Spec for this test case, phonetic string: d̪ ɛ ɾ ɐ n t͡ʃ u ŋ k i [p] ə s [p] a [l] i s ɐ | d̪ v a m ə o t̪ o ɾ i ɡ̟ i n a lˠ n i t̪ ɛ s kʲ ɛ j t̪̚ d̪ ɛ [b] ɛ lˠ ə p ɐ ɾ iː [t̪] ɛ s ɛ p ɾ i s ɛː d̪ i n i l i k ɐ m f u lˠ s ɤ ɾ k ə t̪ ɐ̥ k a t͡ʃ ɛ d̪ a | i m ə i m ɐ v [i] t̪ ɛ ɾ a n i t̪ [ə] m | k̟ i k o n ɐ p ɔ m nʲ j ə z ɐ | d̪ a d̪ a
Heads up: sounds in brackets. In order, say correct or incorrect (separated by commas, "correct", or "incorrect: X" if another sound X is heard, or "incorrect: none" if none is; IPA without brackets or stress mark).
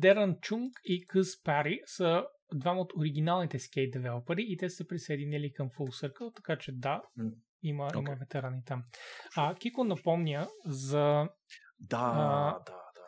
incorrect: k, correct, incorrect: ɾ, incorrect: v, correct, incorrect: ɛ, incorrect: a